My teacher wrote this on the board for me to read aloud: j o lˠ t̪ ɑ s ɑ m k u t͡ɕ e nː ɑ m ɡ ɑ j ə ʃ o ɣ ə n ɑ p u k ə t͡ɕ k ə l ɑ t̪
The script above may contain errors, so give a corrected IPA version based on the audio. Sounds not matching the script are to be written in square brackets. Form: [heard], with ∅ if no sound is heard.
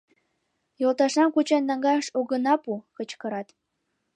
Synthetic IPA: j o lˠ t̪ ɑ [ʃ] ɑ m k u t͡ɕ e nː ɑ [ŋ] ɡ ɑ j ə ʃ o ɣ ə n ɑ p u k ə t͡ɕ k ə [ɾ] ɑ t̪